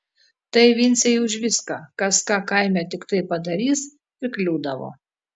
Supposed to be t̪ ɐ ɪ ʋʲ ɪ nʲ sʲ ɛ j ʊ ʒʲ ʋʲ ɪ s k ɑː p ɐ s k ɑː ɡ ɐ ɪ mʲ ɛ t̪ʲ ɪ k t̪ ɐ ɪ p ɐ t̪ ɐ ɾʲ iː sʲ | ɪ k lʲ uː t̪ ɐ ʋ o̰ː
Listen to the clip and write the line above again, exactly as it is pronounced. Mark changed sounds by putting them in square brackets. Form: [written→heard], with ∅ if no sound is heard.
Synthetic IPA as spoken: t̪ ɐ ɪ ʋʲ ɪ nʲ sʲ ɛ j ʊ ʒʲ ʋʲ ɪ s k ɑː [p→k] ɐ s k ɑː [ɡ→k] ɐ ɪ mʲ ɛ t̪ʲ ɪ k t̪ ɐ ɪ p ɐ [t̪→d̪] ɐ ɾʲ iː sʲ | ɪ k lʲ uː [t̪→d̪] ɐ ʋ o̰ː